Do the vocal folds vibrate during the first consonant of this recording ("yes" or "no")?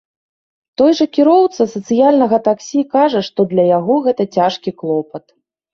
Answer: no